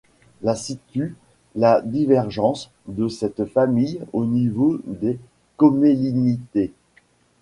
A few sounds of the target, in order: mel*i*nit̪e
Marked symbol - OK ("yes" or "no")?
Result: yes